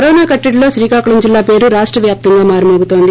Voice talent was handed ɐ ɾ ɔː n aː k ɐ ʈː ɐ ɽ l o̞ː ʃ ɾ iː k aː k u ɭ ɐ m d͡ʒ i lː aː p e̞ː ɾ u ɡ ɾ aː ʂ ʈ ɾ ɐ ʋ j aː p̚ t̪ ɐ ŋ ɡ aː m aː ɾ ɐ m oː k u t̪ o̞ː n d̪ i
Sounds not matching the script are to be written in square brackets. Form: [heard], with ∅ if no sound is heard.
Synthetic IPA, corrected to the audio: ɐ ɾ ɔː n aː k ɐ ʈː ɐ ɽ l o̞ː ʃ ɾ iː k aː k u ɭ ɐ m d͡ʒ i lː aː p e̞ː ɾ u [∅] ɾ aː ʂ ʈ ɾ ɐ ʋ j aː p̚ t̪ ɐ ŋ ɡ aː m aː ɾ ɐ m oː [ɡ] u t̪ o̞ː n d̪ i

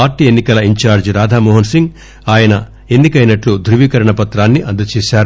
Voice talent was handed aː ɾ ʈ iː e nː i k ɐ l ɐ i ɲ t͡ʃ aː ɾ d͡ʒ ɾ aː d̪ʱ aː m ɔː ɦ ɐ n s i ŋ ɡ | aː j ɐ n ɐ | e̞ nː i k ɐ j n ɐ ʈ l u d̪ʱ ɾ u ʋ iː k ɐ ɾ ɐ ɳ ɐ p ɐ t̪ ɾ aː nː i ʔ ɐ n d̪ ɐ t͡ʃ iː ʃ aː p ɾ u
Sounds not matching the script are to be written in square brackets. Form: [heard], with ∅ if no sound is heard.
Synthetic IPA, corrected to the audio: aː ɾ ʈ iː e nː i k ɐ l ɐ i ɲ t͡ʃ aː ɾ d͡ʒ ɾ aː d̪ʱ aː m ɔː ɦ ɐ n s i ŋ ɡ | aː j ɐ n ɐ | e̞ nː i k ɐ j n ɐ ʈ l u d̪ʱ ɾ u ʋ iː k ɐ ɾ ɐ ɳ ɐ p ɐ t̪ ɾ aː nː i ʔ ɐ n d̪ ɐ t͡ʃ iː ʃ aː [∅] ɾ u

